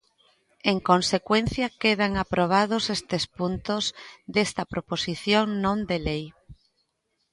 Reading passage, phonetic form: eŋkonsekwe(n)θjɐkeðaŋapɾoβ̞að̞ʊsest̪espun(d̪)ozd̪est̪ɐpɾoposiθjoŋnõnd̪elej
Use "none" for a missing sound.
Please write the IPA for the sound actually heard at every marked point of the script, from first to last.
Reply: n, t̪

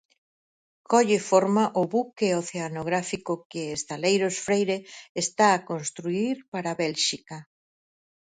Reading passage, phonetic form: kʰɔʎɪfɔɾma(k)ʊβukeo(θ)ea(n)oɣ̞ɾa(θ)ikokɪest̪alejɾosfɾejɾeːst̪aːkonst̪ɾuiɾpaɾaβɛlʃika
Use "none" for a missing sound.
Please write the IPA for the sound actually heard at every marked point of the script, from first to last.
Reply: ʔ, θ, n, f

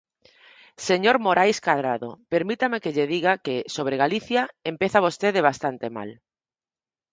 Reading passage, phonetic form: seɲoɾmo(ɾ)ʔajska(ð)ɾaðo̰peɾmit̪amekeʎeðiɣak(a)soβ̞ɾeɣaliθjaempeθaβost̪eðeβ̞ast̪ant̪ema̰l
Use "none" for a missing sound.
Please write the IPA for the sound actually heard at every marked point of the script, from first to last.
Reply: ɾ, ð, e

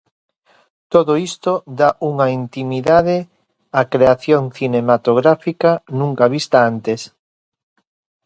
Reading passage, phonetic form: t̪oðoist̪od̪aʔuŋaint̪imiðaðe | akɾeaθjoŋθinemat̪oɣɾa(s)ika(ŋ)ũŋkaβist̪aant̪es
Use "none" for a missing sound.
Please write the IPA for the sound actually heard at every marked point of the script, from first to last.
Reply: f, n

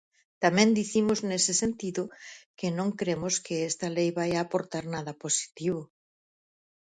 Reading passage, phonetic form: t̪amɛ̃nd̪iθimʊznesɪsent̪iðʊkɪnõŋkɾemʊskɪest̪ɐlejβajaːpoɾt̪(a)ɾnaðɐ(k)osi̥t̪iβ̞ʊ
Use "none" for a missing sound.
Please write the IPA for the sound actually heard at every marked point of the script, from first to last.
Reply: a, p

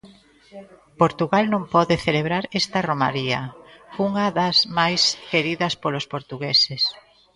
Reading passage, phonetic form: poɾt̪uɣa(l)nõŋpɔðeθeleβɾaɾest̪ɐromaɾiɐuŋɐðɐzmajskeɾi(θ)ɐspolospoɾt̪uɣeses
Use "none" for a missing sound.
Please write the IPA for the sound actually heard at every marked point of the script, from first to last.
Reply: l, ð

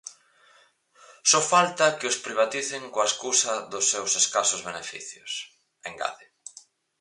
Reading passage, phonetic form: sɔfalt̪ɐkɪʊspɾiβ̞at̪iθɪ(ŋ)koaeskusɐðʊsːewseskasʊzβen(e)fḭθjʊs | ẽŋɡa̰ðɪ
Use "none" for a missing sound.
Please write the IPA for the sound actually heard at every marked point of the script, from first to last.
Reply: ŋ, e

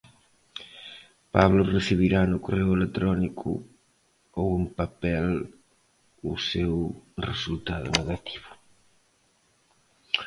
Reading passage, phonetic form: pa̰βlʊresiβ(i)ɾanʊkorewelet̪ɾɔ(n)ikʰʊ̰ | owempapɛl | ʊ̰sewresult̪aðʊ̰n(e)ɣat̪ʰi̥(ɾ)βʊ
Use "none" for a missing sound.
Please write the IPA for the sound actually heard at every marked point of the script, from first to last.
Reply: i, n, e, none

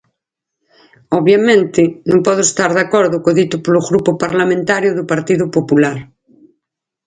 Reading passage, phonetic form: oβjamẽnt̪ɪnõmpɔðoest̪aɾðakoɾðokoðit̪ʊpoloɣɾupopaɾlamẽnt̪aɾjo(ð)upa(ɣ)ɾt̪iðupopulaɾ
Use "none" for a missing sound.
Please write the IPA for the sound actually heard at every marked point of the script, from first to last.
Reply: ð, none

